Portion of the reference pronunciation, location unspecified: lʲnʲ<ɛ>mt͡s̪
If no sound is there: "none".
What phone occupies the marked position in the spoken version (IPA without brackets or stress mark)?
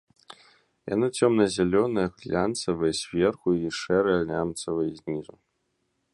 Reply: a